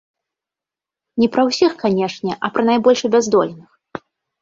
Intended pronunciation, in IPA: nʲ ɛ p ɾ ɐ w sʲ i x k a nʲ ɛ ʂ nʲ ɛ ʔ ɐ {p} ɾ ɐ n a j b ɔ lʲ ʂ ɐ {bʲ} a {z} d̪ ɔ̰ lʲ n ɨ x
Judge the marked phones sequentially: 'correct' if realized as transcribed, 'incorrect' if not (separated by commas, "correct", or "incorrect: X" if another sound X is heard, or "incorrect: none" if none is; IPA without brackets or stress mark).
correct, correct, correct